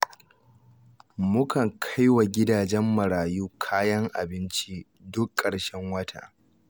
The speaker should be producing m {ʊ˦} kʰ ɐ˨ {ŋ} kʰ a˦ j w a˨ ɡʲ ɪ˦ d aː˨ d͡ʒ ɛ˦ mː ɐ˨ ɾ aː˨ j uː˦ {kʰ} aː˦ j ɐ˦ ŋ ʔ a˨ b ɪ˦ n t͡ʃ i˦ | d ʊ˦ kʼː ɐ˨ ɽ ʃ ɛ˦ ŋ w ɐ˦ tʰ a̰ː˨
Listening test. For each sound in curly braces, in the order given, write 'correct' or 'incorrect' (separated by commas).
correct, correct, correct